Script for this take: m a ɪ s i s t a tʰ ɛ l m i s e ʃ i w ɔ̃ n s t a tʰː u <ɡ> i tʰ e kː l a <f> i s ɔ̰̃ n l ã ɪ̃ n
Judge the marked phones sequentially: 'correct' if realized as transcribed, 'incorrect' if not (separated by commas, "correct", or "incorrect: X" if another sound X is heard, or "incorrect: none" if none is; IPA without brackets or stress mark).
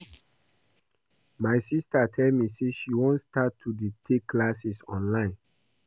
incorrect: d, incorrect: s